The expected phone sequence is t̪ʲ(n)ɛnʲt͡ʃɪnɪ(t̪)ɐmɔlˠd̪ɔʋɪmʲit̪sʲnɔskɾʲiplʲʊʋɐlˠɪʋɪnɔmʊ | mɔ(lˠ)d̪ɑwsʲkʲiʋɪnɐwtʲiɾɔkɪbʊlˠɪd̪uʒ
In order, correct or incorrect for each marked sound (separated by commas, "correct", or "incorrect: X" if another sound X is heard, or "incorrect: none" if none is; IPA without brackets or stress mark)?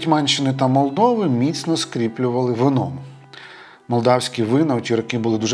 incorrect: m, correct, correct